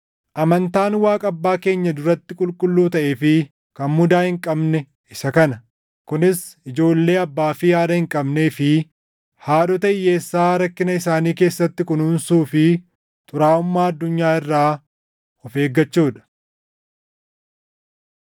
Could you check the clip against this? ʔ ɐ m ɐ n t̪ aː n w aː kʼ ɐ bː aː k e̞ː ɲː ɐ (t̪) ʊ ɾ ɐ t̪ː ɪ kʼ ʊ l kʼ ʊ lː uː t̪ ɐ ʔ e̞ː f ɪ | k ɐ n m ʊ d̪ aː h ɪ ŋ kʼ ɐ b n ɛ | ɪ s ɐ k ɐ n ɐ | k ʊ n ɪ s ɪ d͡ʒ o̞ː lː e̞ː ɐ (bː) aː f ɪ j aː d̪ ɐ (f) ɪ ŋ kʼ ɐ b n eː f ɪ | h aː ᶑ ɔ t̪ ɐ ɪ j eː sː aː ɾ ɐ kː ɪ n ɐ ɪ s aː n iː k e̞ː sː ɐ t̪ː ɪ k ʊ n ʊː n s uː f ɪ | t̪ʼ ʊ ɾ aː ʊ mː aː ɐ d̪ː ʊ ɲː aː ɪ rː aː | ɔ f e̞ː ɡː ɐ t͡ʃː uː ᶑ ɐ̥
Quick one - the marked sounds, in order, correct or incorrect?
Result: incorrect, correct, incorrect

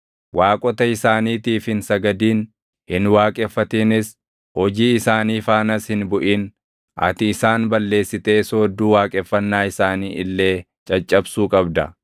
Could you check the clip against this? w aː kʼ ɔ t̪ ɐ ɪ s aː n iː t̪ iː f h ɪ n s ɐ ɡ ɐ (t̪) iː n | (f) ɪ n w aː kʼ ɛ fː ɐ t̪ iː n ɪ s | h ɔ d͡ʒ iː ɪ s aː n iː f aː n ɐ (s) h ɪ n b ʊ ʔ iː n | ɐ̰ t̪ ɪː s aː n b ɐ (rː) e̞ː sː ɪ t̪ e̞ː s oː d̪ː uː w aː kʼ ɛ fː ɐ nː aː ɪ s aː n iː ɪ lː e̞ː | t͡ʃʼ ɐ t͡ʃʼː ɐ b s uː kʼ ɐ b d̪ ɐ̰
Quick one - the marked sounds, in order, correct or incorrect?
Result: incorrect, incorrect, correct, incorrect

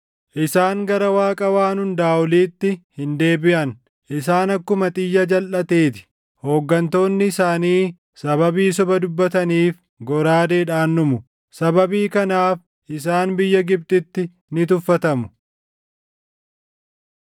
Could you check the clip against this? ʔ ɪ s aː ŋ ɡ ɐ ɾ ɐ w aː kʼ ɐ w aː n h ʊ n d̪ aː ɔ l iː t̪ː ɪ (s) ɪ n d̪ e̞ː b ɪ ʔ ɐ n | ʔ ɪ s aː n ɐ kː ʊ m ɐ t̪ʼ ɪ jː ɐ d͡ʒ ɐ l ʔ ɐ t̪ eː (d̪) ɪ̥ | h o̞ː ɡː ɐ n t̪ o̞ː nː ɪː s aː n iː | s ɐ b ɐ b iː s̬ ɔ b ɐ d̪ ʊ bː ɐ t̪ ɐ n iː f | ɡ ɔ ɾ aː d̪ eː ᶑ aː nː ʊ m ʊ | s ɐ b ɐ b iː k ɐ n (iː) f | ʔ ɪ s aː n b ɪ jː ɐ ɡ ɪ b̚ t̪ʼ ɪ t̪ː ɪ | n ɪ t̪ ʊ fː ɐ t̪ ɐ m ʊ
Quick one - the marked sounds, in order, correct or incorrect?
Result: incorrect, incorrect, incorrect

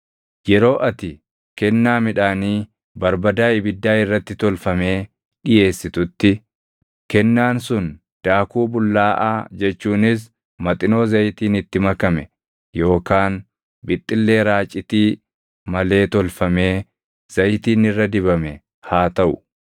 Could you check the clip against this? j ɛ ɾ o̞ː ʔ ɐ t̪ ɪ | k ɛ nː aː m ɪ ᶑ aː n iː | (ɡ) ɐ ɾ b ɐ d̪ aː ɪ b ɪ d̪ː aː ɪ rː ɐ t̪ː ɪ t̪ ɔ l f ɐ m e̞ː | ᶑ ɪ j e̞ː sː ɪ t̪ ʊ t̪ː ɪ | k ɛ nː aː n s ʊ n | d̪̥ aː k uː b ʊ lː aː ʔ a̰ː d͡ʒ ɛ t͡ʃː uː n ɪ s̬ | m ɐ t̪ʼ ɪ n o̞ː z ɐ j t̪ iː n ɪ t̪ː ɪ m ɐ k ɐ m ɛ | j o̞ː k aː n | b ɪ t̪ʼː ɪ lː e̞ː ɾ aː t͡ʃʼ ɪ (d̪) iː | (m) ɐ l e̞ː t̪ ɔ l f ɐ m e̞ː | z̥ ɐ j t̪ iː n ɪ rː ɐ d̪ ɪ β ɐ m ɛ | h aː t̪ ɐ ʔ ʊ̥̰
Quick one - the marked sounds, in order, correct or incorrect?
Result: incorrect, incorrect, correct

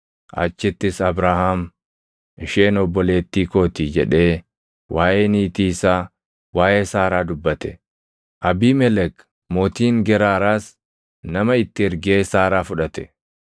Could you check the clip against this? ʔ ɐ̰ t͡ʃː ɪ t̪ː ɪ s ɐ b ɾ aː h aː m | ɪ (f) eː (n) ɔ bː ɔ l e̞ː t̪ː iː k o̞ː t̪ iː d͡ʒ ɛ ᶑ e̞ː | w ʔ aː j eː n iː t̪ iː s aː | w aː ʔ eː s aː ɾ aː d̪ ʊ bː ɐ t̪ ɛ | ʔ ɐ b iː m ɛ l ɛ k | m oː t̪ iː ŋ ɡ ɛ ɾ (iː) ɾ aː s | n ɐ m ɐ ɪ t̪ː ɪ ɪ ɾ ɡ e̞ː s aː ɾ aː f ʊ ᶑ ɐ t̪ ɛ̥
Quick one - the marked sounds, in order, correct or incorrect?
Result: incorrect, correct, incorrect

